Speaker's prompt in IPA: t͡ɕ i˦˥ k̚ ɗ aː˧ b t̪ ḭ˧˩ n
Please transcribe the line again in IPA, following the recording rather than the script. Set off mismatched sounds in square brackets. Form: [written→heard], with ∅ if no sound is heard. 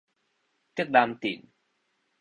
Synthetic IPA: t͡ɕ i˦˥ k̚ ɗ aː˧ [b→m] t̪ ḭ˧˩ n